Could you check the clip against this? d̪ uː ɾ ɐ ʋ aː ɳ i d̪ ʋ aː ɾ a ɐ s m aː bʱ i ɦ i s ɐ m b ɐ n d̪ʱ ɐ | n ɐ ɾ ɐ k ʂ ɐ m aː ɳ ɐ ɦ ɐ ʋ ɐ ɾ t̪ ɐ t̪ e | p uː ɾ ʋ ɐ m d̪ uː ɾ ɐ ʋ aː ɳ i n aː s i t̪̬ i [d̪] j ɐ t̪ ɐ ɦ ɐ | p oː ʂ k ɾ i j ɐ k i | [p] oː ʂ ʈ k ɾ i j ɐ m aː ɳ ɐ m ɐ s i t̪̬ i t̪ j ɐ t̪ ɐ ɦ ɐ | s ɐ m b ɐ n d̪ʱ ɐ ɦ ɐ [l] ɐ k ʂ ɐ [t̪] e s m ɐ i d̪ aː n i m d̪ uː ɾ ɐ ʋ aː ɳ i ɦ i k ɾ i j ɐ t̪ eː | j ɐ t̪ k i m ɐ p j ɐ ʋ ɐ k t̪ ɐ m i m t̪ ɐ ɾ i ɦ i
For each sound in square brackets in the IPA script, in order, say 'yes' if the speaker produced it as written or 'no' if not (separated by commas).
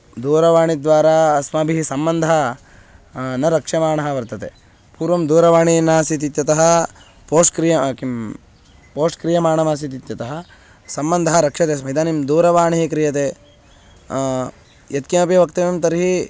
no, yes, no, yes